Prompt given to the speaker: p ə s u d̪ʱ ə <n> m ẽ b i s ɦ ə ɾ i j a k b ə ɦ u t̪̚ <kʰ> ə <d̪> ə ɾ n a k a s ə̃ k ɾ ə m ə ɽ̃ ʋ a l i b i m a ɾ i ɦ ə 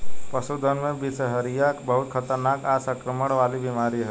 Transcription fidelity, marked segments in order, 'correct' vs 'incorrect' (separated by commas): correct, correct, incorrect